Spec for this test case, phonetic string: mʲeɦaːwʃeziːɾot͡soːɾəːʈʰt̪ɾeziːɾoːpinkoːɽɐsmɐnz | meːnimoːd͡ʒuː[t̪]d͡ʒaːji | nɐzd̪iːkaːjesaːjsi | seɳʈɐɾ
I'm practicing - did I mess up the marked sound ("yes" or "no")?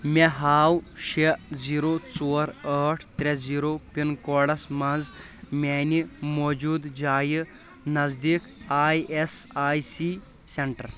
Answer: yes